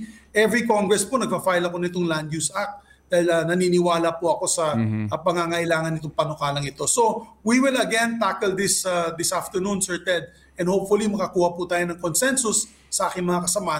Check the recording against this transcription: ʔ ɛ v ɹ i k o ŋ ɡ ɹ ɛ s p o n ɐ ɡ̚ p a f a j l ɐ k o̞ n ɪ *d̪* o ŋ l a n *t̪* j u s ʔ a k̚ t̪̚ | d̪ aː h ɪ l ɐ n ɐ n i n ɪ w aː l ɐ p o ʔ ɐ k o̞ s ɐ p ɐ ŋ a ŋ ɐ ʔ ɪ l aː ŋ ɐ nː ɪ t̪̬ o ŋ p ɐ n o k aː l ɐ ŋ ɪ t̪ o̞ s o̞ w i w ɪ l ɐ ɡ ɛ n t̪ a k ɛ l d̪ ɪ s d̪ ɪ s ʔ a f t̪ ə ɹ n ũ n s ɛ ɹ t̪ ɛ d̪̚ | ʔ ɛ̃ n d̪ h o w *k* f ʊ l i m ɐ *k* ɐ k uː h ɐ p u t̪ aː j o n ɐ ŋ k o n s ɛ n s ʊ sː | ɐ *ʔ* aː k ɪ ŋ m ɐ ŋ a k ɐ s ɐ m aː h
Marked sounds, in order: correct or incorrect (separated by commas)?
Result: incorrect, incorrect, incorrect, correct, correct